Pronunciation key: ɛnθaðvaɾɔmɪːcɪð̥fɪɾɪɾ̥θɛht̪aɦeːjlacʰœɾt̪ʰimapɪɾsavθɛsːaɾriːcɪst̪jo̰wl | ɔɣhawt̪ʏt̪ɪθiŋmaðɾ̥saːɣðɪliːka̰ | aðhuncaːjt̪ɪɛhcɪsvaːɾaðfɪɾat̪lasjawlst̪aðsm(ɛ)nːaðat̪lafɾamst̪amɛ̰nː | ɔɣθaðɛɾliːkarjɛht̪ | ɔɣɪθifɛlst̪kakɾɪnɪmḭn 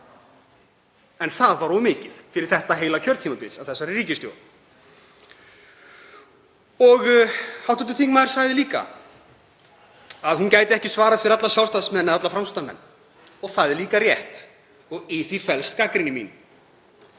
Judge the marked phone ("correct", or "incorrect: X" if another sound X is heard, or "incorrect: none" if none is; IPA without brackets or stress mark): correct